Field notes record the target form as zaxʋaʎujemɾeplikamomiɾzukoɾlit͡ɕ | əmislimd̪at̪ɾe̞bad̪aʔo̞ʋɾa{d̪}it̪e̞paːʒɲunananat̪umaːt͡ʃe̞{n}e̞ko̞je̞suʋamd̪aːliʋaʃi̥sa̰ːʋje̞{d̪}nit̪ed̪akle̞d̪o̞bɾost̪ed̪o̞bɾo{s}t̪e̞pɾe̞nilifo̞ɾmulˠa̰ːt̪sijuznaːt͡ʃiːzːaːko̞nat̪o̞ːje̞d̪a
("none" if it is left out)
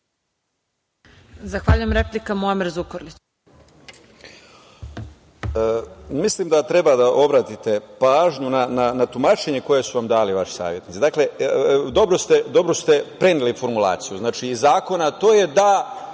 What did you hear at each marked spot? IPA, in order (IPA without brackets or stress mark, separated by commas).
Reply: t̪, ɲ, t̪, s